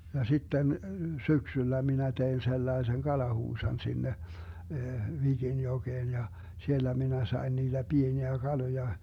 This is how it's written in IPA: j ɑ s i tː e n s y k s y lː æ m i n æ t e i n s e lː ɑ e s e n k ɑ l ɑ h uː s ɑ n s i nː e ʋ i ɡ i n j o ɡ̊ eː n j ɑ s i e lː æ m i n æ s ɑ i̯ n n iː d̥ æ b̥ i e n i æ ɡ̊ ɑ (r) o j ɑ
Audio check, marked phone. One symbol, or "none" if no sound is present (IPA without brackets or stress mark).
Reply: l